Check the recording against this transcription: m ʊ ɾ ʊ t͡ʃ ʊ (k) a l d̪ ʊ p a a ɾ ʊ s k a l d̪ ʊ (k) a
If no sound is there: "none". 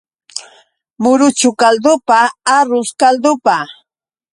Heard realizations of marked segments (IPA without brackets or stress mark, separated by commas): k, p